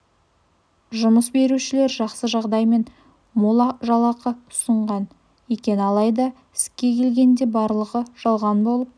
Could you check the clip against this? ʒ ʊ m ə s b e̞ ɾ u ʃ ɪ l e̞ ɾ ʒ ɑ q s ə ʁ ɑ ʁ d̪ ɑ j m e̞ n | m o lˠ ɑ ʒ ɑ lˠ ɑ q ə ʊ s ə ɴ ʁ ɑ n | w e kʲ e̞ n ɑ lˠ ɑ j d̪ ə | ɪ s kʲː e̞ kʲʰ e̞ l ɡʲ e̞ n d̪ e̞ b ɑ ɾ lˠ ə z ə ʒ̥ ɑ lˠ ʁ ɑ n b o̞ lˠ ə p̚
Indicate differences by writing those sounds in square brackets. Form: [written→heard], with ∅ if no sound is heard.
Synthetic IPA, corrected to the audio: ʒ ʊ m ə s b e̞ ɾ u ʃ ɪ l e̞ ɾ ʒ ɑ q s ə [ʁ→ʒ] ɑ ʁ d̪ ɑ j m e̞ n | m o lˠ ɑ ʒ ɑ lˠ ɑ q ə ʊ s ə ɴ ʁ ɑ n | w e kʲ e̞ n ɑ lˠ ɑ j d̪ [ə→ɑ] | ɪ s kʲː e̞ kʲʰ e̞ l ɡʲ e̞ n d̪ e̞ b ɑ ɾ lˠ ə [z→ʁ] ə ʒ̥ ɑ lˠ ʁ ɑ n b o̞ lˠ ə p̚